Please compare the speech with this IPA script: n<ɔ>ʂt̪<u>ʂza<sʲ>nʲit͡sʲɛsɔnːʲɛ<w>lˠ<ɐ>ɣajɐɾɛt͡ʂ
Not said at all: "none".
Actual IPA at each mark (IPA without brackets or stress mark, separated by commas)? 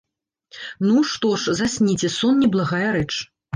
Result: u, ɔ, sʲ, b, a